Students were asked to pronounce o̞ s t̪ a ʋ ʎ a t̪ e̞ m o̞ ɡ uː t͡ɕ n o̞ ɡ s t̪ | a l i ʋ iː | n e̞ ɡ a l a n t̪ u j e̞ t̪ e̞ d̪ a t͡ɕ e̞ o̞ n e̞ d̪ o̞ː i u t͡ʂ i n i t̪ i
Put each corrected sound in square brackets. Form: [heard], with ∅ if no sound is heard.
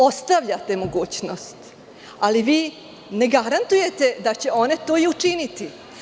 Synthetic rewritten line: o̞ s t̪ a ʋ ʎ a t̪ e̞ m o̞ ɡ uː t͡ɕ n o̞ [∅] s t̪ | a l i ʋ iː | n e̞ ɡ a [ɾ] a n t̪ u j e̞ t̪ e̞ d̪ a t͡ɕ e̞ o̞ n e̞ [t̪] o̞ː i u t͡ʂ i n i t̪ i